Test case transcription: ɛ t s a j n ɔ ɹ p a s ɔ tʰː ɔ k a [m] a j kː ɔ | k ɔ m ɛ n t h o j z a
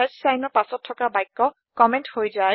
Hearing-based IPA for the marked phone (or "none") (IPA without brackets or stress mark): b